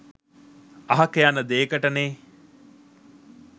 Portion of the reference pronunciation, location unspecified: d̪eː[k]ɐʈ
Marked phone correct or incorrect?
correct